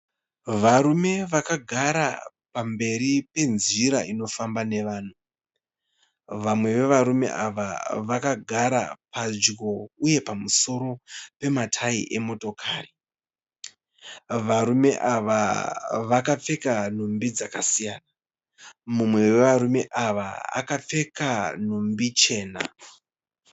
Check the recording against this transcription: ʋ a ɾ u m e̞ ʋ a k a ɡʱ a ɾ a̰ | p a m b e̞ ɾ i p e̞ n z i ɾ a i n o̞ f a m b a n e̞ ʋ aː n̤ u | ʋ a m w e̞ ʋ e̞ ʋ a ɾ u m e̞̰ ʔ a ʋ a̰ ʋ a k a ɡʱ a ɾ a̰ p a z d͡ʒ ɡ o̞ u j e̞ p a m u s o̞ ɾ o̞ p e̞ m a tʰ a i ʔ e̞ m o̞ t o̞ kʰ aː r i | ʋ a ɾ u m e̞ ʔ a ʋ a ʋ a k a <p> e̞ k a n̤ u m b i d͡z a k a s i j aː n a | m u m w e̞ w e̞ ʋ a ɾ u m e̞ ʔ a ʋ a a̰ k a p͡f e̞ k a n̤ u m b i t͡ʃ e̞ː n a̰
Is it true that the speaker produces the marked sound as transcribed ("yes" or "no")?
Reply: no